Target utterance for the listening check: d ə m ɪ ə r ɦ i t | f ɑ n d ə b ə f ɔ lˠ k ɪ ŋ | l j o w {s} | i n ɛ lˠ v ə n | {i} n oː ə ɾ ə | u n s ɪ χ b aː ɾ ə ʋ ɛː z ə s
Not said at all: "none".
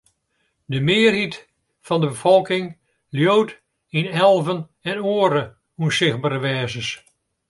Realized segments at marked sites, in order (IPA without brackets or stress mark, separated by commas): t, ɛ